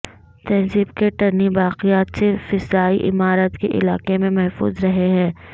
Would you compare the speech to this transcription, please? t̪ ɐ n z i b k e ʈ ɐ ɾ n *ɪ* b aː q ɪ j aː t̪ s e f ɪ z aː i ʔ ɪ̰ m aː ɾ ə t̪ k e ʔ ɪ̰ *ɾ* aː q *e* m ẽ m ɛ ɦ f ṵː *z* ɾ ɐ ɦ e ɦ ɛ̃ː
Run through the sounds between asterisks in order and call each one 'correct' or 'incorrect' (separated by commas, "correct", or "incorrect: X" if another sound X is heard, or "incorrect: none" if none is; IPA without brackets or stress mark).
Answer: incorrect: i, incorrect: l, correct, correct